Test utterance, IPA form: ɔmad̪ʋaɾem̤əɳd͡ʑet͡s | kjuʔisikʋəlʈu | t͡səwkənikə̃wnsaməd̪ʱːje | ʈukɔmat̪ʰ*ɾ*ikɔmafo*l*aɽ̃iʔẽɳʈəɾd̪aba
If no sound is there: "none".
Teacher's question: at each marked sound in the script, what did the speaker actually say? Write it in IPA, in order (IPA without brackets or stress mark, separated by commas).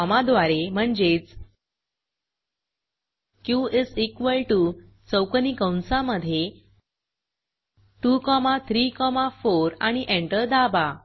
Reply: ɾ, ɾ